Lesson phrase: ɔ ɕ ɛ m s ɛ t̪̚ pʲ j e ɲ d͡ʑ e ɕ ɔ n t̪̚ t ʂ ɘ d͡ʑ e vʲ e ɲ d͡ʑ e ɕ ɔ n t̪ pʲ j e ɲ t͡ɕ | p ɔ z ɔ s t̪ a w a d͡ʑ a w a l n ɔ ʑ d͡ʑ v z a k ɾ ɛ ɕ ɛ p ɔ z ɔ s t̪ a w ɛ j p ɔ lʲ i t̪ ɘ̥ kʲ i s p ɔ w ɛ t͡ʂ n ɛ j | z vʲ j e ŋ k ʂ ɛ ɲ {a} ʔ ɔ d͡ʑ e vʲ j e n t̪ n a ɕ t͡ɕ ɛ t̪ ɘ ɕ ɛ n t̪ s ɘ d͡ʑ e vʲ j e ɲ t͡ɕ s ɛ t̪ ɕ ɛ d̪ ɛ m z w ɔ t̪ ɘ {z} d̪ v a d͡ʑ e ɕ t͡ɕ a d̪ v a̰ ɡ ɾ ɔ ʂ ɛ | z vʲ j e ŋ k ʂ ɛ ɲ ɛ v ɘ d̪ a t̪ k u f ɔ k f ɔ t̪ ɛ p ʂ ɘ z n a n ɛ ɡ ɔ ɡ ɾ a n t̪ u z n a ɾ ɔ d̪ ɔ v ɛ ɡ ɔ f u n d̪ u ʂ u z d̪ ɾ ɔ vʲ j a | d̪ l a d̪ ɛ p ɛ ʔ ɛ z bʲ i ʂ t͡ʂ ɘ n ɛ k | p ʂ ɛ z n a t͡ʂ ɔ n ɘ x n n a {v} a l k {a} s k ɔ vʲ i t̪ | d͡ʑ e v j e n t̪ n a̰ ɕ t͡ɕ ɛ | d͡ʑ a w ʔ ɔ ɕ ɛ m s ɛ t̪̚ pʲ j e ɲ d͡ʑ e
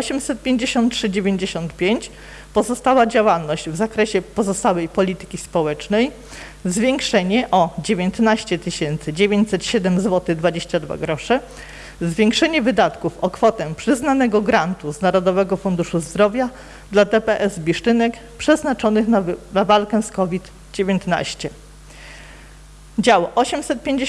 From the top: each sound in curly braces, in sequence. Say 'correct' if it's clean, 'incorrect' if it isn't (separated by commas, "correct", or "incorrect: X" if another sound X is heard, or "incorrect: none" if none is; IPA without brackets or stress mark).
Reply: incorrect: ɛ, incorrect: ɣ, correct, incorrect: ɛ